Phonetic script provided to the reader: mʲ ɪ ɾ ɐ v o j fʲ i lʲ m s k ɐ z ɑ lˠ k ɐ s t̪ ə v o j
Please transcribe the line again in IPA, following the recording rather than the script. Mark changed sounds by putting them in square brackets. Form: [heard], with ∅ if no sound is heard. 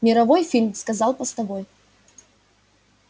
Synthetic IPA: mʲ ɪ ɾ ɐ v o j fʲ i lʲ m s k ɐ z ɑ lˠ [p] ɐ s t̪ [ɐ] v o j